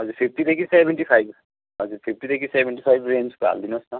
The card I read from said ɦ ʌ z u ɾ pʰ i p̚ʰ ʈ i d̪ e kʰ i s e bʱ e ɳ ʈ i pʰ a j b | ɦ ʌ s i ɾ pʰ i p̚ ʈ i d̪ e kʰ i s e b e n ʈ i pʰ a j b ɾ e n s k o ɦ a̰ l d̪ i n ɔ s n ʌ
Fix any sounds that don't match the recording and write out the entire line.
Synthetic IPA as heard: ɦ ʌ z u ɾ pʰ i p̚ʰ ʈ i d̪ e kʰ i s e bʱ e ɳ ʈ i pʰ a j b | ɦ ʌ z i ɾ pʰ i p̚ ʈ i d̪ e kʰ i s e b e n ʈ i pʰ a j b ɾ e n s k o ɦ a̰ l d̪ i n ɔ s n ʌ